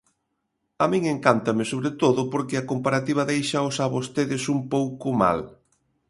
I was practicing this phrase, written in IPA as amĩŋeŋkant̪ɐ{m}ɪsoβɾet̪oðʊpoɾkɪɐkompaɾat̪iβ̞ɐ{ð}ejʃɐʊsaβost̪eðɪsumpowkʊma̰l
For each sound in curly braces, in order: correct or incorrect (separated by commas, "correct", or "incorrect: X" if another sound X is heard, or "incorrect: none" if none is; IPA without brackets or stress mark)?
correct, correct